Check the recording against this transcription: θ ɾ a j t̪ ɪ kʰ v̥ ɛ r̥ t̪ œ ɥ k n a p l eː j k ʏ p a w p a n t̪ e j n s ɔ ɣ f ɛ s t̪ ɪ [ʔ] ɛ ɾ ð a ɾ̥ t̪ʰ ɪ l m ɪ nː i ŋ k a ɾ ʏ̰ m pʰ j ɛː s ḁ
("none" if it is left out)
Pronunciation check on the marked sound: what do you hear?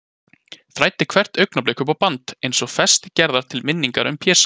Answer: c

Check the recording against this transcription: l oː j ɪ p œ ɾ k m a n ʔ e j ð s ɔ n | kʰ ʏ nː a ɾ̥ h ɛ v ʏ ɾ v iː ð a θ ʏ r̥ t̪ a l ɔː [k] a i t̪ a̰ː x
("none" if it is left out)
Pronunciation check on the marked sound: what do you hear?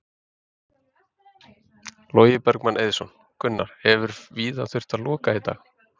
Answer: k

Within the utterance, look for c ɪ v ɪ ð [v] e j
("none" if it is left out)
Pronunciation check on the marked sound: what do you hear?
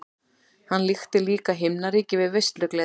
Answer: v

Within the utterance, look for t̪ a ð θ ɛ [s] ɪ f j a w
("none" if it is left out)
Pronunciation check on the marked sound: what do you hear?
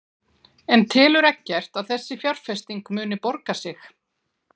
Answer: sː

